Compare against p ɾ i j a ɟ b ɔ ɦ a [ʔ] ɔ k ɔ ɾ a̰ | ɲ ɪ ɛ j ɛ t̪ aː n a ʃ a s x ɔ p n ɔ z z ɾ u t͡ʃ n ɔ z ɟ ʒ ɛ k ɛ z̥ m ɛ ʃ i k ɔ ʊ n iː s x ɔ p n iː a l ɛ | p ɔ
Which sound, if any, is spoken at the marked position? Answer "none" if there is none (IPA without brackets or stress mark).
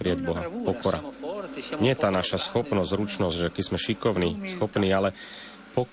p